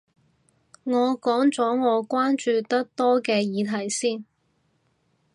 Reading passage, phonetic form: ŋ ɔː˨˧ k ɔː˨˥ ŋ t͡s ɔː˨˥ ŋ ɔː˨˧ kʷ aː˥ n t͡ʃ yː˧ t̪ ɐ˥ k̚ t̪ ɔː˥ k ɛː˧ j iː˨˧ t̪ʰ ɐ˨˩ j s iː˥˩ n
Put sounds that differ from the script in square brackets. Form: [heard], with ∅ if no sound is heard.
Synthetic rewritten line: ŋ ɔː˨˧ k ɔː˨˥ ŋ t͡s ɔː˨˥ ŋ ɔː˨˧ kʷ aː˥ n t͡ʃ yː˧ t̪ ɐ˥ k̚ t̪ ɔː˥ k ɛː˧ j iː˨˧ t̪ʰ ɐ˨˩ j s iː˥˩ n